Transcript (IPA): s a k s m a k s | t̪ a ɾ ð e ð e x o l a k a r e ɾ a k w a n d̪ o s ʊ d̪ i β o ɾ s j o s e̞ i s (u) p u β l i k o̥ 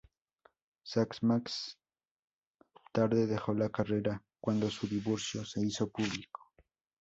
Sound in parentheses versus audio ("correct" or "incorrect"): incorrect